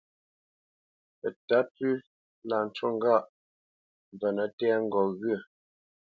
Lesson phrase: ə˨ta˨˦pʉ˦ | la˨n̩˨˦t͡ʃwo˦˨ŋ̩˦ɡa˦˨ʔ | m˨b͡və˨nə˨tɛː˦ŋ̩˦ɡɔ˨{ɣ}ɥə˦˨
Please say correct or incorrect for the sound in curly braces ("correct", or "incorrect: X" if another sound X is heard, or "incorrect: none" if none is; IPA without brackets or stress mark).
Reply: correct